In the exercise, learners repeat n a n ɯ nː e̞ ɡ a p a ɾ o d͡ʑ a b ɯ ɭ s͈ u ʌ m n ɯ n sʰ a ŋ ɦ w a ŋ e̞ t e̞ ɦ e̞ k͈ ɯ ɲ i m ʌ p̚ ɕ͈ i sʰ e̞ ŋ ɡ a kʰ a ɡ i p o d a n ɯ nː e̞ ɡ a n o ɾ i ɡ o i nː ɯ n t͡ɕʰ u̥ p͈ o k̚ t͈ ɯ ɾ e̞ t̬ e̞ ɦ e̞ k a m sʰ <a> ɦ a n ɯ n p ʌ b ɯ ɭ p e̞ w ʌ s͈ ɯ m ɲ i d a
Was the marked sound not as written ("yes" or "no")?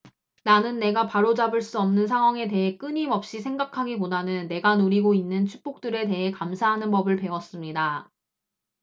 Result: no